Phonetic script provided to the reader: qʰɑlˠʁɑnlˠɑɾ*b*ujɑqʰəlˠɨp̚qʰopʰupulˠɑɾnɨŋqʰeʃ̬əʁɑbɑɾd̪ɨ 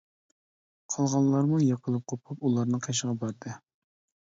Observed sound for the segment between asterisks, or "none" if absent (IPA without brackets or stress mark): m